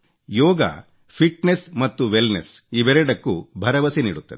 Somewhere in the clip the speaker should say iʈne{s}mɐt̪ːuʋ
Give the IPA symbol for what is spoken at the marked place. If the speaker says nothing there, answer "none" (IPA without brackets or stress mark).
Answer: s